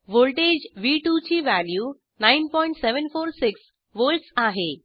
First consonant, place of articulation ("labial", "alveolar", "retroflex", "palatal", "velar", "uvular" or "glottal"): labial